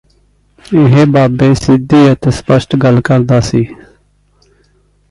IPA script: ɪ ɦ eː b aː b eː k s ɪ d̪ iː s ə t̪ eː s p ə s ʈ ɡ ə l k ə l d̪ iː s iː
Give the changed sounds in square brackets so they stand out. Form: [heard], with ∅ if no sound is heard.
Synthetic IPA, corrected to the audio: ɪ ɦ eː b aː b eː [∅] s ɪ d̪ iː [∅] ə t̪ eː s p ə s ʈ ɡ ə l k ə [ɾ] d̪ [aː] s iː

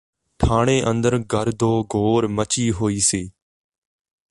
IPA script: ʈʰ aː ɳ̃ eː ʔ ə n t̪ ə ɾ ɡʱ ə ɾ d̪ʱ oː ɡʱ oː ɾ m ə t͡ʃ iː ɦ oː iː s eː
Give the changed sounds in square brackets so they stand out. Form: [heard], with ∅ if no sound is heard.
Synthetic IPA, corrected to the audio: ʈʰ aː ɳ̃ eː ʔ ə n [d̪] ə ɾ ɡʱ ə ɾ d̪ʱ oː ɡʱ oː ɾ m ə t͡ʃ iː ɦ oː iː s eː

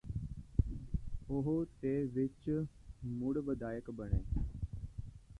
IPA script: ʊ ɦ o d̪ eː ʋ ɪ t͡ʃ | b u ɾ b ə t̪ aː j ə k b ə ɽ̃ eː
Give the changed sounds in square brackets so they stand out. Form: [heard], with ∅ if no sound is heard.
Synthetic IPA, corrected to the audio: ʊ ɦ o [t̪] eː ʋ ɪ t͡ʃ | [m] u [ɽ] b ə [d̪] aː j ə k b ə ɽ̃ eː

